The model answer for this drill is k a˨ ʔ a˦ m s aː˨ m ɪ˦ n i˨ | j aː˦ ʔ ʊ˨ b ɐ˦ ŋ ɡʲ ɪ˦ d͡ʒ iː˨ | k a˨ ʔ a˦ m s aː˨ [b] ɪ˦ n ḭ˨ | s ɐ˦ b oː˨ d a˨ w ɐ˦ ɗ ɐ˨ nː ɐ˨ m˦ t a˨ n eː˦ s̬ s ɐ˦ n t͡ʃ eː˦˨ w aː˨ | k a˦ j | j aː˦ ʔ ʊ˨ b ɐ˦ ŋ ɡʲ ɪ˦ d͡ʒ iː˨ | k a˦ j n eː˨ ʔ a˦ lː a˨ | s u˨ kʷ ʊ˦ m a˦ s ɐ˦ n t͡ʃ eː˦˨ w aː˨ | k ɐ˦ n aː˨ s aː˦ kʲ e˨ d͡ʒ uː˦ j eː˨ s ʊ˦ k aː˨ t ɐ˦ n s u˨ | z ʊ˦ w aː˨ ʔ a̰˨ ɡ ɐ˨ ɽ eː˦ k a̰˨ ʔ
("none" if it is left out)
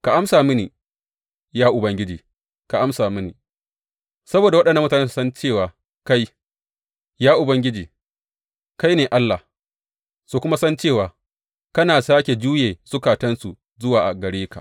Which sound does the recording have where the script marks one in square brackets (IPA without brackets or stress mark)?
m